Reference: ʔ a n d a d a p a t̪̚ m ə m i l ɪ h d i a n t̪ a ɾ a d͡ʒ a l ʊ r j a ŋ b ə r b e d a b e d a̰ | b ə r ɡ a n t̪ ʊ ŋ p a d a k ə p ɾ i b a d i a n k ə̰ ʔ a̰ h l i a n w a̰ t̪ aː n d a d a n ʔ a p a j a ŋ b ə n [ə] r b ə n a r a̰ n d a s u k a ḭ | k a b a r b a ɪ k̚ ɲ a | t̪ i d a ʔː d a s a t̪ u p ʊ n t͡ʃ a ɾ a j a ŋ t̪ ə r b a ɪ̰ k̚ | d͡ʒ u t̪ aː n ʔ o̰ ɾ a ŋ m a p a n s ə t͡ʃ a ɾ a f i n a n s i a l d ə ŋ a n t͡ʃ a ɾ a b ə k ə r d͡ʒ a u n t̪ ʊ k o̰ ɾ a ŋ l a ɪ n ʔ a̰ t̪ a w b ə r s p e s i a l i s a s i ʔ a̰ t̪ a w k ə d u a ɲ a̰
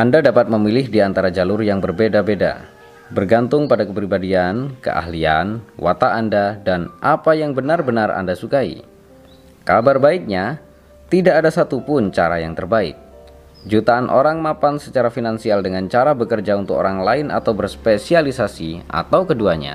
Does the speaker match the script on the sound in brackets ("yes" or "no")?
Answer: no